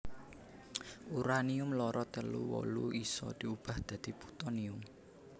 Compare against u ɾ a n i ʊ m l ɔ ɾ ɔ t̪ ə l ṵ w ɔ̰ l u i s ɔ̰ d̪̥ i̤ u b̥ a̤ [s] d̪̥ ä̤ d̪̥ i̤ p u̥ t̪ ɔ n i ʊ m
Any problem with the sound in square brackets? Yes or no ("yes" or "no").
yes